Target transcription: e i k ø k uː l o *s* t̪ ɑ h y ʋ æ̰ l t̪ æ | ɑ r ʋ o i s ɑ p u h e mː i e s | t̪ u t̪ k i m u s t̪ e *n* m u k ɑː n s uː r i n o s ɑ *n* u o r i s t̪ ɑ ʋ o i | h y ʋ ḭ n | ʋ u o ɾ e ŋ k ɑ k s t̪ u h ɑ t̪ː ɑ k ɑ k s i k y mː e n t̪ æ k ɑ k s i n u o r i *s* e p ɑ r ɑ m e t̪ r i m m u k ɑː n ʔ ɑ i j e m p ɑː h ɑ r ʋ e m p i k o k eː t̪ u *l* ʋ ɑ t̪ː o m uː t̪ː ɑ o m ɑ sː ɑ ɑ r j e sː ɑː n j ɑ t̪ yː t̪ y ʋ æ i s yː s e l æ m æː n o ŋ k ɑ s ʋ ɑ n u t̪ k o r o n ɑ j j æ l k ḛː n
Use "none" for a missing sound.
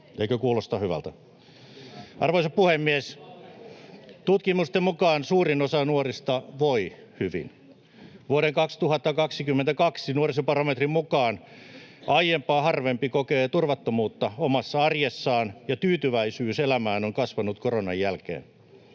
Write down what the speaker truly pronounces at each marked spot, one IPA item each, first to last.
s, m, n, s, r

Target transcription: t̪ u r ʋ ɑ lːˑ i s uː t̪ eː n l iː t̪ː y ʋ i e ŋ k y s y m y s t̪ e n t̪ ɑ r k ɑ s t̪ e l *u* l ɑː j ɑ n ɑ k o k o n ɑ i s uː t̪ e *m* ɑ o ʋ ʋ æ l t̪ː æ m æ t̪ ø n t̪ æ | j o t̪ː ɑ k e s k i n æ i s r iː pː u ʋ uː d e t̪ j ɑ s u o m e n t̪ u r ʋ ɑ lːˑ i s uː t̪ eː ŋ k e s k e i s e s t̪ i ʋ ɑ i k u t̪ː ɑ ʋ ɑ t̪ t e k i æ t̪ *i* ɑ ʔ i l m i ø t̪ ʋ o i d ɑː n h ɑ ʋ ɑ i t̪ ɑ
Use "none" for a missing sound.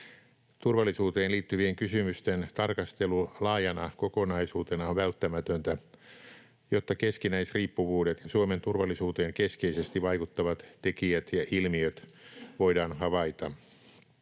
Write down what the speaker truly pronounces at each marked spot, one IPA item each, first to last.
u, n, j

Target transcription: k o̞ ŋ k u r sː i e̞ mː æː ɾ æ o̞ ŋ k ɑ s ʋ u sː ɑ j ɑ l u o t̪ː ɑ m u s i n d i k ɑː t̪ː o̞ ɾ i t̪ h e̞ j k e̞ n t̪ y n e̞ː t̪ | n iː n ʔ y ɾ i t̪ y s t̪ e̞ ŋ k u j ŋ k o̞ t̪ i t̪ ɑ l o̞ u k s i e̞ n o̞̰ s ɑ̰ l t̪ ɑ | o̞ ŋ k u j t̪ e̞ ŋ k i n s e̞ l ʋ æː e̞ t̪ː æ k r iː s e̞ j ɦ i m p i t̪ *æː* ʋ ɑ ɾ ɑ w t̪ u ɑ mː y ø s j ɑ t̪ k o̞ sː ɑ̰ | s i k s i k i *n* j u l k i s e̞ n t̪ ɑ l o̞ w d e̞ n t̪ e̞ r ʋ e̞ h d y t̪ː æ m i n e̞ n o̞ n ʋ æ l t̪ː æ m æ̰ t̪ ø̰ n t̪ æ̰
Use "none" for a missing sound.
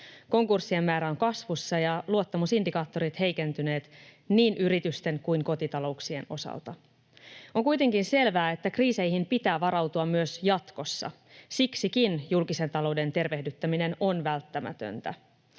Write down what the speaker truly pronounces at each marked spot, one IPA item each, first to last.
æː, n

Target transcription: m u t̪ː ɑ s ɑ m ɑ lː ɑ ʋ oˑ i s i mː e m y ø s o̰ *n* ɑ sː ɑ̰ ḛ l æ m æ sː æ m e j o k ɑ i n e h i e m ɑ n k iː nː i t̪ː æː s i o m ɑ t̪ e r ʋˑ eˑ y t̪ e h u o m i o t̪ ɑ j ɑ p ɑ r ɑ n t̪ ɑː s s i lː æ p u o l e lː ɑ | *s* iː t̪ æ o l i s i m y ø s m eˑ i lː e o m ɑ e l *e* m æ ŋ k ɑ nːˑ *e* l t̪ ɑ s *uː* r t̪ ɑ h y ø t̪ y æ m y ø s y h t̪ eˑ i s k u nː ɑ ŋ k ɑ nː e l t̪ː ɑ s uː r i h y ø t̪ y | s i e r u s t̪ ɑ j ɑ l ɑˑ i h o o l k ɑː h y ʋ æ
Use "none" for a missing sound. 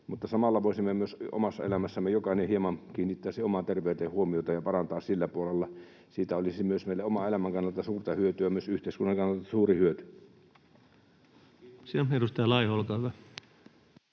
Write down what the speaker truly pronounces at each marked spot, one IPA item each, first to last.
m, s, æ, e, uː

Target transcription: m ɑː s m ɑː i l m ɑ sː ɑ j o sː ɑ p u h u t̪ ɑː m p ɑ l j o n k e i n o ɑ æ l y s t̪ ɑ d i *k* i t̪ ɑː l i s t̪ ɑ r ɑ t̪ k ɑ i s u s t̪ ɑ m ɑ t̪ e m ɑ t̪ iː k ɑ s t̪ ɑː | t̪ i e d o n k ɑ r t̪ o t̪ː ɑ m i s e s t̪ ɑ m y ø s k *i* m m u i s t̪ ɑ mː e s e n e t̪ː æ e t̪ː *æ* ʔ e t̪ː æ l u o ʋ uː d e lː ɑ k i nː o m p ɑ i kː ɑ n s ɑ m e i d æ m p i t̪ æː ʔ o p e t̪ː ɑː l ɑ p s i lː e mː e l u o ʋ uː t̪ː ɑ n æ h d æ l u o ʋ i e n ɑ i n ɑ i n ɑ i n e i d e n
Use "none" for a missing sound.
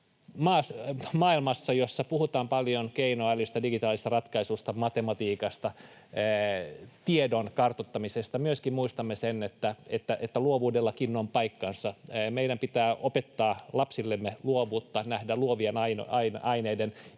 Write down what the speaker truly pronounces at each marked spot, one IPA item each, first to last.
ɡ, i, æ

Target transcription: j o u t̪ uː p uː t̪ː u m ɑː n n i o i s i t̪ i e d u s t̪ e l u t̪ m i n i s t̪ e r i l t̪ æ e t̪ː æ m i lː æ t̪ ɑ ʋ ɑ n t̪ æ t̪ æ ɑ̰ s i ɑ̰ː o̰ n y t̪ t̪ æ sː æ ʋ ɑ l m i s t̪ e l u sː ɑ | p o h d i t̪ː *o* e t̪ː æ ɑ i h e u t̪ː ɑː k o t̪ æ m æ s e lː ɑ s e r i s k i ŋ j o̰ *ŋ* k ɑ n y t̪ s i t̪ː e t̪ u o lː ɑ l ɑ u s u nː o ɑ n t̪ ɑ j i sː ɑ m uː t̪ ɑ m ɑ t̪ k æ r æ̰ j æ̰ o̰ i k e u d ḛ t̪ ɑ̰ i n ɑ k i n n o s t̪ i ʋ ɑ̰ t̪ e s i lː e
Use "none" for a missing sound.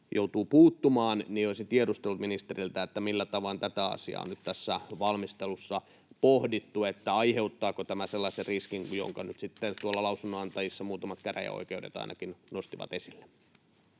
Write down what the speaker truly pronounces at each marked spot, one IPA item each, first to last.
u, ŋ

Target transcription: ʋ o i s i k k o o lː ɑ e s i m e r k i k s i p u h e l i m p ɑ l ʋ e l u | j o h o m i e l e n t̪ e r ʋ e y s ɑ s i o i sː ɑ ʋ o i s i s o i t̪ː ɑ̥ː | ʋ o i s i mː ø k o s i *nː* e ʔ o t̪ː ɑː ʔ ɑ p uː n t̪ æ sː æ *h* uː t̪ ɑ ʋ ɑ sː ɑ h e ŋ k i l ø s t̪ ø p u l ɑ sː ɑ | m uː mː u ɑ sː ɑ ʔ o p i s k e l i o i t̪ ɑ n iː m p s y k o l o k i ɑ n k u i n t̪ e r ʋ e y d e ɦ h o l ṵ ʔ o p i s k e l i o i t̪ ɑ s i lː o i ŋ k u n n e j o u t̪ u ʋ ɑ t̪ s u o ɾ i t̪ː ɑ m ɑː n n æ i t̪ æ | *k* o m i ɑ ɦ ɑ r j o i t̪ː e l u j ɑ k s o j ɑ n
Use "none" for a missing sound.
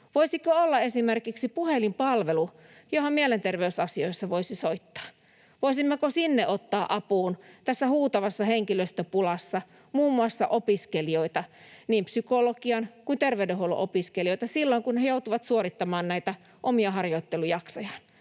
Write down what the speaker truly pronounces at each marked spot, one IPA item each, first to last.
nː, h, ʔ

